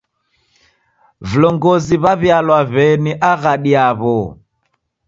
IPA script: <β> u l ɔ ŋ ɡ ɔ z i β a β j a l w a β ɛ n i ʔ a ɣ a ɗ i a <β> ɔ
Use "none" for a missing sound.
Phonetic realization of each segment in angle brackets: v, β

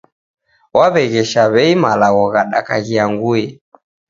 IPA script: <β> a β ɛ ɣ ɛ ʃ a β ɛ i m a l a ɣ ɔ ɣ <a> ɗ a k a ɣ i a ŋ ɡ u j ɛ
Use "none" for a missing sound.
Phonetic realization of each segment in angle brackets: w, a

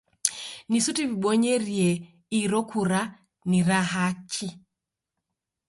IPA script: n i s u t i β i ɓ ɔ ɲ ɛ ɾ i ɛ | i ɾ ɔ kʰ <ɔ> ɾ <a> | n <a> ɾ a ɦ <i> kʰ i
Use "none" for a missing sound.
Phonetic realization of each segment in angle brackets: u, a, i, a

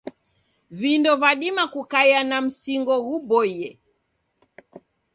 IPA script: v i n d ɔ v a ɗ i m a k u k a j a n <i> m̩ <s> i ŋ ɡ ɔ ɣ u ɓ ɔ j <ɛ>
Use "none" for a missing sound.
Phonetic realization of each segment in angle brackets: a, s, ɛ

